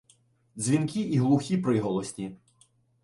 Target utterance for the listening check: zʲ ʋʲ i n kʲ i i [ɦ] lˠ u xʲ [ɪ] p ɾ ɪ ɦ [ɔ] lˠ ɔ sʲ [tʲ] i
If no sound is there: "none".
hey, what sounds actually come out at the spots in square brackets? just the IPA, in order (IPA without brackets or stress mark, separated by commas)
ɦ, i, ɔ, tʲ